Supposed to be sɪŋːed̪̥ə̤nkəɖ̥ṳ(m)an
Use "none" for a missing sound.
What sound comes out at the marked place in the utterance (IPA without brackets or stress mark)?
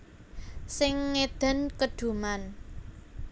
m